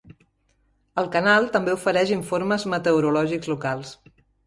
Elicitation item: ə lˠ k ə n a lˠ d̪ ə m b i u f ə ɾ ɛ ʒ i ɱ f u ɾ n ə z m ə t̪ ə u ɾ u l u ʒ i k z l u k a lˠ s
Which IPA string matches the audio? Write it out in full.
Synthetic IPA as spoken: ə lˠ k ə n a lˠ t̪ ə m b e u f ə ɾ ɛ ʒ i ɱ f o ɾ m ə z m ə t̪ ə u ɾ u l ɔ ʒ i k z l u k a lˠ s